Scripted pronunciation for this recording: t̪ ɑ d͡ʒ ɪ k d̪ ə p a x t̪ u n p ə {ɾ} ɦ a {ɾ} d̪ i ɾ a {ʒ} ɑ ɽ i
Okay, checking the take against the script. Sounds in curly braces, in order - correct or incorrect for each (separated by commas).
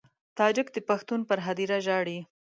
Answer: correct, incorrect, correct